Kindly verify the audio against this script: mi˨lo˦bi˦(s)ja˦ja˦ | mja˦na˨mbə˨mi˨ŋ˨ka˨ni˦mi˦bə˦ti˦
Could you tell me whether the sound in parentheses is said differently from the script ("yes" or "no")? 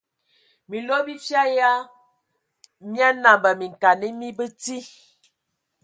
yes